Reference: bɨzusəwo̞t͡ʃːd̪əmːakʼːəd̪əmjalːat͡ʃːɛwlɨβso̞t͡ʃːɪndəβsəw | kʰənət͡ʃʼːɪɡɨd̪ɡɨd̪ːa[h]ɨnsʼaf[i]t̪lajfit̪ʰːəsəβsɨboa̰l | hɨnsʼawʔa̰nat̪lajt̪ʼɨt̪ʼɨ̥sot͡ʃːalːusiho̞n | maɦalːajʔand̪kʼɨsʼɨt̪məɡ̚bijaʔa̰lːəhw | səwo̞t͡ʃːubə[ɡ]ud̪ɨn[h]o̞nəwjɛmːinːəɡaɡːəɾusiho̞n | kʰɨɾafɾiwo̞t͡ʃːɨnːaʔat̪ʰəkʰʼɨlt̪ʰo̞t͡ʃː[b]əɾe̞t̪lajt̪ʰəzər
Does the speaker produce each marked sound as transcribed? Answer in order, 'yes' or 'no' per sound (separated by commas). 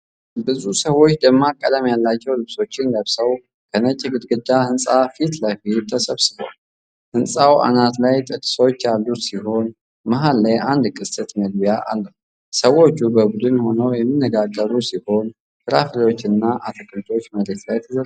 yes, yes, no, yes, no